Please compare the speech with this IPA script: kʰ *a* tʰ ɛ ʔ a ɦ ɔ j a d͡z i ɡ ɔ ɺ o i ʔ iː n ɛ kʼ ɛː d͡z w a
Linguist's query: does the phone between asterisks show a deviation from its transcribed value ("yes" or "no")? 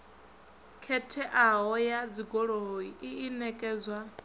yes